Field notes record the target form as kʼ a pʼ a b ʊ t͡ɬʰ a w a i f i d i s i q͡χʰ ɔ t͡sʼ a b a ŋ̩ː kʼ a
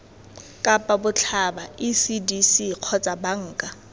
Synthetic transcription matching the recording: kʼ a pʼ a b ʊ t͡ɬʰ a b a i s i d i s i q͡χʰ ɔ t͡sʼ a b a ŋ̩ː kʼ a